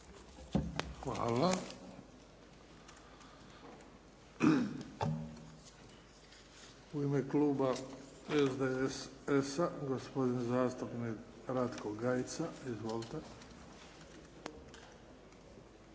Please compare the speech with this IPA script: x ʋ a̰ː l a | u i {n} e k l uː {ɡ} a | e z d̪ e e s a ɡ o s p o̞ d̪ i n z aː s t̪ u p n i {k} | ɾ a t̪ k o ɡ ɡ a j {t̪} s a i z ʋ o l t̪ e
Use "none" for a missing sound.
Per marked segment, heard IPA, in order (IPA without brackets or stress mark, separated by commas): m, b, k, t̪